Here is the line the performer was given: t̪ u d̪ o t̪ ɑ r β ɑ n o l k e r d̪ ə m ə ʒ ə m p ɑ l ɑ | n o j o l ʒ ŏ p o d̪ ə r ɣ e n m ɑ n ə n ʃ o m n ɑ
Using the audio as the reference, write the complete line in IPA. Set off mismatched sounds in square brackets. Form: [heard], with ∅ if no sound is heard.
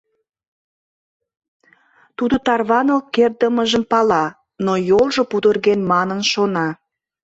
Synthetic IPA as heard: t̪ u d̪ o t̪ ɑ r β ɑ n o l k e r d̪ ə m ə ʒ ə m p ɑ l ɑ | n o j o l ʒ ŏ p [u] d̪ ə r ɣ e n m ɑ n ə n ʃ o [∅] n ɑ